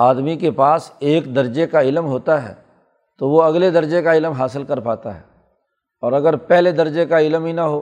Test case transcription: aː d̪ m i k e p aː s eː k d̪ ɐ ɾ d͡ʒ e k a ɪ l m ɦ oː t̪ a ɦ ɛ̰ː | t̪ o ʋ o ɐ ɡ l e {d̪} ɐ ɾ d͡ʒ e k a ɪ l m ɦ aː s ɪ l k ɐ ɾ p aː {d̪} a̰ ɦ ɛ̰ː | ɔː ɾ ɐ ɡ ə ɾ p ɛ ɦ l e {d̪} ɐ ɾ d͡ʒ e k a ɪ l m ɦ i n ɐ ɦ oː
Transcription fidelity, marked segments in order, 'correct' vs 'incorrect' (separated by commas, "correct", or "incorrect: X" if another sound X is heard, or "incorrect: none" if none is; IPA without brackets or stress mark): correct, incorrect: t̪, correct